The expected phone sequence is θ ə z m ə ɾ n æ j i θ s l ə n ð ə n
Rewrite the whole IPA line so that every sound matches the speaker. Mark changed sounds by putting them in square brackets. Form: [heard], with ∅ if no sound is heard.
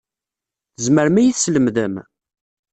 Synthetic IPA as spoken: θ ə z m ə ɾ [m] æ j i θ s l ə [m] ð ə [m]